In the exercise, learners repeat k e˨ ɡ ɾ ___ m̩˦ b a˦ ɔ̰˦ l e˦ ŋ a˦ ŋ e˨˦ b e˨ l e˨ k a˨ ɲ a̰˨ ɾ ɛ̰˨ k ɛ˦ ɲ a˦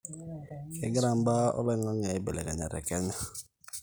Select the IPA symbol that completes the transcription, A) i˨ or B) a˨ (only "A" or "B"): B